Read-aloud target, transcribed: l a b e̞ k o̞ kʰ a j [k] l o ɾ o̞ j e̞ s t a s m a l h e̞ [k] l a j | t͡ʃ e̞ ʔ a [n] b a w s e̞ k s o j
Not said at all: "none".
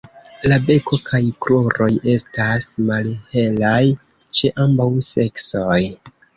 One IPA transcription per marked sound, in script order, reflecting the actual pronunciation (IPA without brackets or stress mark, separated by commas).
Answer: k, none, m